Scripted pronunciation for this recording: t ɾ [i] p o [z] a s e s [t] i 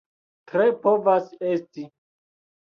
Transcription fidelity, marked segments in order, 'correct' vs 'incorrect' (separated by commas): incorrect, incorrect, correct